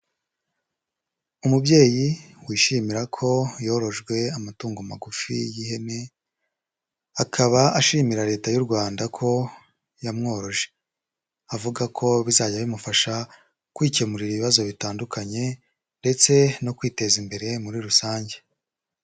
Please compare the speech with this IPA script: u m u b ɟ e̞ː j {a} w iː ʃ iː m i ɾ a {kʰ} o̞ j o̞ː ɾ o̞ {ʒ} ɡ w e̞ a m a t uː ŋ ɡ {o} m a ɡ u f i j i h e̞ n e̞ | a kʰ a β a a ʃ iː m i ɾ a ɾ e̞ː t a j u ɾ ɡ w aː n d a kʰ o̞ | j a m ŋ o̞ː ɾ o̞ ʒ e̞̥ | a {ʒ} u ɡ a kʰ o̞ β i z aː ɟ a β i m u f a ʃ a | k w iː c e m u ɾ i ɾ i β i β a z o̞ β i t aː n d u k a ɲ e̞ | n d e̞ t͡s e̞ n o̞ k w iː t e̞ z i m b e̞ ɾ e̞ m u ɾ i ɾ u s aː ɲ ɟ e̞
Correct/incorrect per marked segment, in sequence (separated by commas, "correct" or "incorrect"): incorrect, correct, correct, correct, incorrect